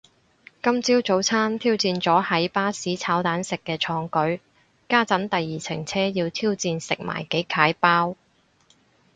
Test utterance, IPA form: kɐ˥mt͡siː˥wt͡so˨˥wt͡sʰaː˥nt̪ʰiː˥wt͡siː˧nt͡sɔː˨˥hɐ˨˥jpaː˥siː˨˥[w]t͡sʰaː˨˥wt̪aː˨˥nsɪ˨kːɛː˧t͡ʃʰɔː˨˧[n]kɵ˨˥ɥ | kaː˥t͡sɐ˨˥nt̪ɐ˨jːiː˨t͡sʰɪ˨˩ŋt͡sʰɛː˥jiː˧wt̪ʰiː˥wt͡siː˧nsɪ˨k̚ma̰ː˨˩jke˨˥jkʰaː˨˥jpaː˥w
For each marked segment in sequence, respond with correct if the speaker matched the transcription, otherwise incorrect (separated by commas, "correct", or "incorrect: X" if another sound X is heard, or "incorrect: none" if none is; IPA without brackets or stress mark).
incorrect: none, incorrect: ŋ